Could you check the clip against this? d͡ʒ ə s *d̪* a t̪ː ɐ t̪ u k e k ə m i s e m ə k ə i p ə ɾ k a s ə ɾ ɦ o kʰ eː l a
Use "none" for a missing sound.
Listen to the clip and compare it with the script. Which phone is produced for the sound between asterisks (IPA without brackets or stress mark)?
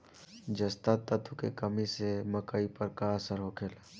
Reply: t̪